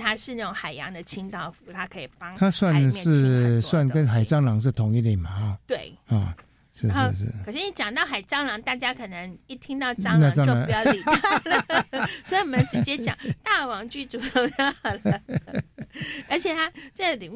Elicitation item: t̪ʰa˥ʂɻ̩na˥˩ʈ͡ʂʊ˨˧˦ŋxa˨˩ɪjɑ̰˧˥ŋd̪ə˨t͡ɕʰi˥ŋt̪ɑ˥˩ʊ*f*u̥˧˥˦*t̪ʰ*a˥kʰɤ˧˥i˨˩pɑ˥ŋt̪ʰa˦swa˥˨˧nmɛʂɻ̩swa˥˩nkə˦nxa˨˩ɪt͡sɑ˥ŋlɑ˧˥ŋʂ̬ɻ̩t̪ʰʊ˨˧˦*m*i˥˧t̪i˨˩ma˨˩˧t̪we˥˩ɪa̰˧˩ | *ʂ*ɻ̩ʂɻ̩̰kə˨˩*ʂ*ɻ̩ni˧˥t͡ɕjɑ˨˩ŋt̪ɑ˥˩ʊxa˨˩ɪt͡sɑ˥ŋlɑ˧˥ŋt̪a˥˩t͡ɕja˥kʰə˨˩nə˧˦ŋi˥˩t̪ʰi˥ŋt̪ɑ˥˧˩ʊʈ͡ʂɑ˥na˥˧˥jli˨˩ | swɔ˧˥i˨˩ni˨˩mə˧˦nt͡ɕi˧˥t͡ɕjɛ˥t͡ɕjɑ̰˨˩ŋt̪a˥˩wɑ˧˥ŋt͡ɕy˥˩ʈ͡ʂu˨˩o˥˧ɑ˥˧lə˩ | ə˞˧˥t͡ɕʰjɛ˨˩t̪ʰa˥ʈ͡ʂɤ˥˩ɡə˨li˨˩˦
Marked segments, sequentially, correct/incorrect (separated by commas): correct, correct, incorrect, correct, correct